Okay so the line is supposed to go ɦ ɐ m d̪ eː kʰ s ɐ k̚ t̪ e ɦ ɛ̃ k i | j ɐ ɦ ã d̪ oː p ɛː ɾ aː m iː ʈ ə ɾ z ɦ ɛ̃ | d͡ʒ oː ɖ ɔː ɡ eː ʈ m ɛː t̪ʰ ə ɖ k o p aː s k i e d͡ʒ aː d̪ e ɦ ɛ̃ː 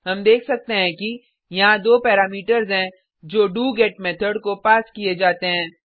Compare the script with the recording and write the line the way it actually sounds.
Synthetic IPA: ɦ ɐ m d̪ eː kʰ s ɐ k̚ t̪ e ɦ ɛ̃ k i | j ɐ ɦ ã d̪ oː p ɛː ɾ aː m iː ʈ ə ɾ z ɦ ɛ̃ | d͡ʒ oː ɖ uː ɡ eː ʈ m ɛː t̪ʰ ə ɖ k o p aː s k i e d͡ʒ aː t̪ e ɦ ɛ̃ː